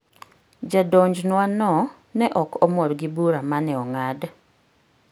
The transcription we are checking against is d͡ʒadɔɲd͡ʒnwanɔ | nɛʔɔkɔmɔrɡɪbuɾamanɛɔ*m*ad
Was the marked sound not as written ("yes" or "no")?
yes